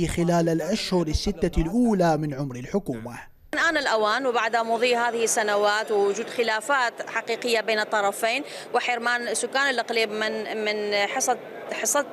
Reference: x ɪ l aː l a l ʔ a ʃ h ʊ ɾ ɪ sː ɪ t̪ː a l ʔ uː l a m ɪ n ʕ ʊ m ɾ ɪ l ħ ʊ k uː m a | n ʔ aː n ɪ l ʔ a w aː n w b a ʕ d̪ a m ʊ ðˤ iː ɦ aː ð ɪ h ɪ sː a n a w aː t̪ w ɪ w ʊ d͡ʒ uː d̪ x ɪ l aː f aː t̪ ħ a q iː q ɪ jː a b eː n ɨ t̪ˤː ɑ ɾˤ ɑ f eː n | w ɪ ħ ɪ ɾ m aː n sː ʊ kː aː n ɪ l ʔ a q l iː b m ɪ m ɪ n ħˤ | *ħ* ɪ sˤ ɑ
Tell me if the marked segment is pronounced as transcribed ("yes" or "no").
yes